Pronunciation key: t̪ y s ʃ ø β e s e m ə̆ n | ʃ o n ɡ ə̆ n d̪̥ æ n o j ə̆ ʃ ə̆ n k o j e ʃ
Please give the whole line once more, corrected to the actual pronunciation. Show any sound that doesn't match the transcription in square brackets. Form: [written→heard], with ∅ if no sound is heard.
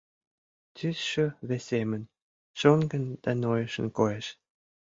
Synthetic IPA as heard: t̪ y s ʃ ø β e s e m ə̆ n | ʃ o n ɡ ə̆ n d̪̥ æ n o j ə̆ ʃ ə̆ n k o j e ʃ